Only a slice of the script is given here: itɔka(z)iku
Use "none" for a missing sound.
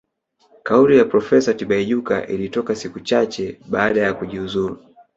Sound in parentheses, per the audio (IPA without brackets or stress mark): s